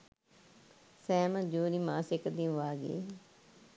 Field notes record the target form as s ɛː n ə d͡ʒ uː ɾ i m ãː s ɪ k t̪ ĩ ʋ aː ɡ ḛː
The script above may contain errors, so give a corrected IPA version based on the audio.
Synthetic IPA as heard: s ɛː m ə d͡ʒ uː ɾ i m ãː s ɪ k d̪ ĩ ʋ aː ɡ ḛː